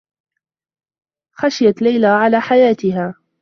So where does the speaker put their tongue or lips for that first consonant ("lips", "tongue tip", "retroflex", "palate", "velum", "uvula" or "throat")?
velum